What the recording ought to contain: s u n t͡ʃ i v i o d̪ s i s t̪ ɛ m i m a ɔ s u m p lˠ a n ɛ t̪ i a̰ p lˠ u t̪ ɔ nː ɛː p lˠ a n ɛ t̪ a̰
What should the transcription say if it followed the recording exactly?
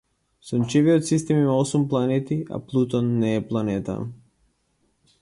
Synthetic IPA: s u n t͡ʃ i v i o t̪ s i s t̪ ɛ m i m a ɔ s u m p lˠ a n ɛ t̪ i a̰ p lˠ u t̪ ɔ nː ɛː p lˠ a n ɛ t̪ a̰